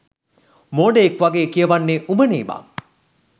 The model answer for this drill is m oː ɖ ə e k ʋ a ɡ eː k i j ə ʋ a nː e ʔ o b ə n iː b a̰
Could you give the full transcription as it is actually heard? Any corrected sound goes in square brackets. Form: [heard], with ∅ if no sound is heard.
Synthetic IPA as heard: m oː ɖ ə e k ʋ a ɡ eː k i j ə ʋ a nː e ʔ [u] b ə n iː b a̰